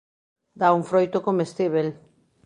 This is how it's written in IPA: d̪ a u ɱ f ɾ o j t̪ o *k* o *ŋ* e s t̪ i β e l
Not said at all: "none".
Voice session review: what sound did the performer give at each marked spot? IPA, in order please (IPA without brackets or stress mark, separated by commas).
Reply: k, m